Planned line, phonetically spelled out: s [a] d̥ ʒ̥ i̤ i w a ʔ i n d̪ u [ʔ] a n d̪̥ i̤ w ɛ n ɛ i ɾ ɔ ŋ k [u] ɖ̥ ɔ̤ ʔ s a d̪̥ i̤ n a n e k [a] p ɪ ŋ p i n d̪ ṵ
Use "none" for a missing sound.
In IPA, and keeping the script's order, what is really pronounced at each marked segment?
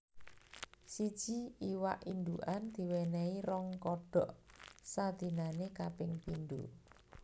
i, ʔ, ɔ, a

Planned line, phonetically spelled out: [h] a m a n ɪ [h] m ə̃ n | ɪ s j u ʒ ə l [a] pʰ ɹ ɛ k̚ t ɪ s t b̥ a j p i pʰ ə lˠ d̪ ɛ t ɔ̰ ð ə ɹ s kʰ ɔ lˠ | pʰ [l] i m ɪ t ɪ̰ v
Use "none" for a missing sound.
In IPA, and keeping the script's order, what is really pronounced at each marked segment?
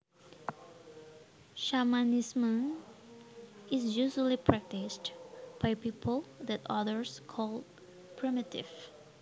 ʃ, s, i, ɹ

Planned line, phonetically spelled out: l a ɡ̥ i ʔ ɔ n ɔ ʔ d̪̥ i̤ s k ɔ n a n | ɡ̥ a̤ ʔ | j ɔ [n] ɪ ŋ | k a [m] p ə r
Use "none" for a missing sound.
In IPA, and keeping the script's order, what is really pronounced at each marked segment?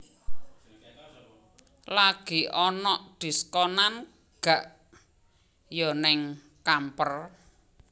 n, m

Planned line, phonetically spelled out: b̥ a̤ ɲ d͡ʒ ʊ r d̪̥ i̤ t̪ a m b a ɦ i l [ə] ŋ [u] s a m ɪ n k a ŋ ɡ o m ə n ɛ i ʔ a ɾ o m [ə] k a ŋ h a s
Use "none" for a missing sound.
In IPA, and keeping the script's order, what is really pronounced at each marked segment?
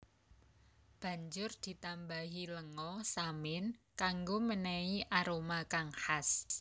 ə, ɔ, a

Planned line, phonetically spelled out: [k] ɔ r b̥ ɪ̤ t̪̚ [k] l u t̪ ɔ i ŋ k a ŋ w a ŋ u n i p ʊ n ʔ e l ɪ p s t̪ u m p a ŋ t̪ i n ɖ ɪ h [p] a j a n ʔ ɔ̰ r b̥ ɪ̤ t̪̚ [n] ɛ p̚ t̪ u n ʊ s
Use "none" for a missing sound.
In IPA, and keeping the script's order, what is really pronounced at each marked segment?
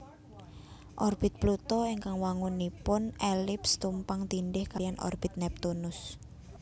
ʔ, p, k, n

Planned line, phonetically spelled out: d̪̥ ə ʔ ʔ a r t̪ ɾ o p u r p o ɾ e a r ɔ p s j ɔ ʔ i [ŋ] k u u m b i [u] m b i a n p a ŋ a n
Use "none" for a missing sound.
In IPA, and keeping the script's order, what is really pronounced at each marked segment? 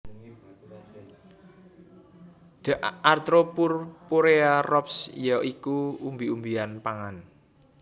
none, u

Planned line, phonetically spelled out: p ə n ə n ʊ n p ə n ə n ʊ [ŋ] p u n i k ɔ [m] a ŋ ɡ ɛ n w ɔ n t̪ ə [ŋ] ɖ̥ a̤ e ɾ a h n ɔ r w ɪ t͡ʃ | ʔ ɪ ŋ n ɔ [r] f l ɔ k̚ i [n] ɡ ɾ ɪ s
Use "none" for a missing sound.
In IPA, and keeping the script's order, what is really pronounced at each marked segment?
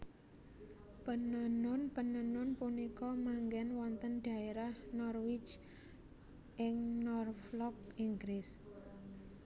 n, m, n, r, ŋ

